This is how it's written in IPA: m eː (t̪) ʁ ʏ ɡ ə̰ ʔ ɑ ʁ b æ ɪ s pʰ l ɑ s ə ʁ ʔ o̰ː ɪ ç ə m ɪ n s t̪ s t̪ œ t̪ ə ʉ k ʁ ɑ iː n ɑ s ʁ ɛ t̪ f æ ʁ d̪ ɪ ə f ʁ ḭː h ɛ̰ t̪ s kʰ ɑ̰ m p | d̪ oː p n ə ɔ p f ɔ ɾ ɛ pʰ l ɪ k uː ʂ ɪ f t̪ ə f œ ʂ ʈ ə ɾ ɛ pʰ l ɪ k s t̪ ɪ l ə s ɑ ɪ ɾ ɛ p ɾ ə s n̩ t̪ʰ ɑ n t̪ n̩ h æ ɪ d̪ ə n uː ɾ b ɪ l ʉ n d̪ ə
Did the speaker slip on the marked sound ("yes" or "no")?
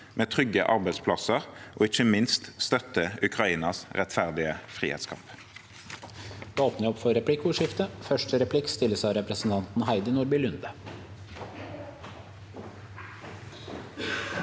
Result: yes